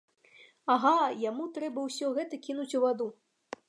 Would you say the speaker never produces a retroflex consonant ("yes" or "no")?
yes